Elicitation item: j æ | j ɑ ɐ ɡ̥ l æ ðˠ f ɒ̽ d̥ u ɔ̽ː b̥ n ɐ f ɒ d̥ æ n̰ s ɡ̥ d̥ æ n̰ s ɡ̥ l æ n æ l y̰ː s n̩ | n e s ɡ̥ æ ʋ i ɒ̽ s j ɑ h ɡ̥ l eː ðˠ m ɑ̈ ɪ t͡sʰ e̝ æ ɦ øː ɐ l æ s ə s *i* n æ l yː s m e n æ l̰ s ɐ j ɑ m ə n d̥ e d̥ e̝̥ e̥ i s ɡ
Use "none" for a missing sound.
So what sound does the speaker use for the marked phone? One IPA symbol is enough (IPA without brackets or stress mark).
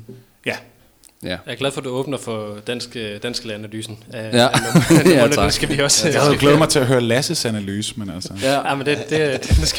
æ